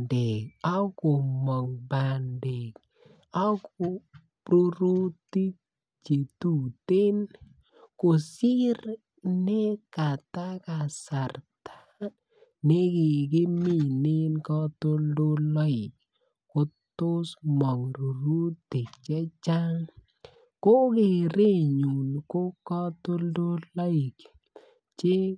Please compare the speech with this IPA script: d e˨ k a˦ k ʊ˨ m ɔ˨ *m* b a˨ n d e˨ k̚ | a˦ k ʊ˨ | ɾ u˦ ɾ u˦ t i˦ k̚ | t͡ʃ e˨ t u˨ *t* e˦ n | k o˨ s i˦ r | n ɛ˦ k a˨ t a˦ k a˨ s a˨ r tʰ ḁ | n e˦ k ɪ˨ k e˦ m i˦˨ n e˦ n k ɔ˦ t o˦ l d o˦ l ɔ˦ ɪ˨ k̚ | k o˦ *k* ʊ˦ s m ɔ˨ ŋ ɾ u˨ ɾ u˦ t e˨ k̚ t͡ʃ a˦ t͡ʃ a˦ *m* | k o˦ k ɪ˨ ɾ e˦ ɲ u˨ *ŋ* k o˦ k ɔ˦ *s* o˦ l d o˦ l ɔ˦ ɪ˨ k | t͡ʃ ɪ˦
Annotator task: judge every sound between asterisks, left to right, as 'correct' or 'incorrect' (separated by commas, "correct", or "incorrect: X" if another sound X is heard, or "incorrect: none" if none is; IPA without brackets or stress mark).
incorrect: ŋ, correct, incorrect: t, incorrect: ŋ, incorrect: n, incorrect: t